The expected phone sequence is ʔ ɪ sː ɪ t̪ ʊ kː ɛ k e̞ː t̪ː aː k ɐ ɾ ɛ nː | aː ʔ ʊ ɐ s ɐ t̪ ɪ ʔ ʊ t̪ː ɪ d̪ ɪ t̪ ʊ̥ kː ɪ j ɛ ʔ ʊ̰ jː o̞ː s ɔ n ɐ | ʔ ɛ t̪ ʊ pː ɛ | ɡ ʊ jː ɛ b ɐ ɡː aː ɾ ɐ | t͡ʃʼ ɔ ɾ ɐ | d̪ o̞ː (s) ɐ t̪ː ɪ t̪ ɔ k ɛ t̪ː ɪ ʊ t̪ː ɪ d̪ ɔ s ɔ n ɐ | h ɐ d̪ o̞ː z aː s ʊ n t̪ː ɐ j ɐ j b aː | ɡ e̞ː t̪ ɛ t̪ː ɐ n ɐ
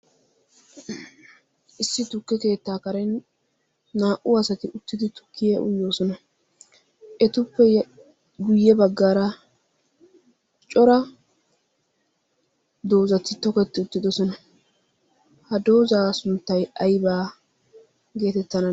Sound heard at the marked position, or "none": z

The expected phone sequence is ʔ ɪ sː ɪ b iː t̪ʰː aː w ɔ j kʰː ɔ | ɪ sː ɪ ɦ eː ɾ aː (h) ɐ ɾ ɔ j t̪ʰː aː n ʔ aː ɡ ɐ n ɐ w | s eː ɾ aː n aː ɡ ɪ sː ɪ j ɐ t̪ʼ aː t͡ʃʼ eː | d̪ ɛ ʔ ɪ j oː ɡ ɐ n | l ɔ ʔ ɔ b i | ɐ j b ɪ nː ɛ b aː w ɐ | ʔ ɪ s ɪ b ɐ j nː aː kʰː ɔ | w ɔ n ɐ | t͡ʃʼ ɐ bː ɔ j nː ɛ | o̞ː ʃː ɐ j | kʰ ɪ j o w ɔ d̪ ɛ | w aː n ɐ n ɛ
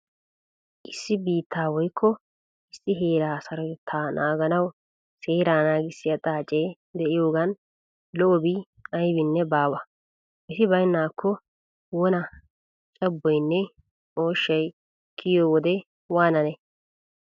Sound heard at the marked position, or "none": s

